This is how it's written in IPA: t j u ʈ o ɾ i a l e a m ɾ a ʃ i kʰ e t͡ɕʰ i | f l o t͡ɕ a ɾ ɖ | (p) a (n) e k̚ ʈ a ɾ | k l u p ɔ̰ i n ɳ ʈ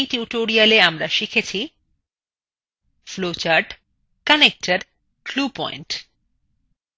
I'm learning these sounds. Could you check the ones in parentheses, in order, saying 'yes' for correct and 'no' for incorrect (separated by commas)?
no, yes